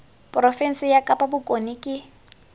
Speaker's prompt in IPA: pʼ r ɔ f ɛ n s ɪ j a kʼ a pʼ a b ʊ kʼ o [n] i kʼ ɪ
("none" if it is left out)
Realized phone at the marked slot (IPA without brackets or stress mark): n